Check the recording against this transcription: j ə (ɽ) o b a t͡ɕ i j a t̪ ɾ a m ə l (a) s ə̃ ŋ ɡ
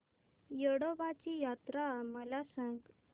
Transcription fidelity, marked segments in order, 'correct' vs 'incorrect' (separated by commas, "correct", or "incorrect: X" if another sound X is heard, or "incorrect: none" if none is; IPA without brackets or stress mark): correct, correct